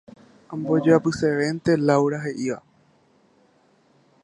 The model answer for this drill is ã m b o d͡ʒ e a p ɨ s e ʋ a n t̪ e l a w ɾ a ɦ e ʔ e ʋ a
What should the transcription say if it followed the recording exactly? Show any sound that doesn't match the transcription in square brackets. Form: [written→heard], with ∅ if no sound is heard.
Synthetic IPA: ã m b o d͡ʒ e a p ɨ s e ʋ [a→e] n t̪ e l a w ɾ a ɦ e ʔ [e→i] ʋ a